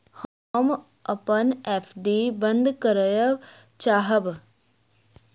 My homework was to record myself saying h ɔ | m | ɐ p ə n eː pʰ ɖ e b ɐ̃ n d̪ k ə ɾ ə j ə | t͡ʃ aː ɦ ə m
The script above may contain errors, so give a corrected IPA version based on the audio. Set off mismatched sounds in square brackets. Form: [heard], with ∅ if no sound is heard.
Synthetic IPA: h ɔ | m | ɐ p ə n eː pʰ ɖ [i] b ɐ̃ n d̪ k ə ɾ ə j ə | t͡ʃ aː ɦ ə [b]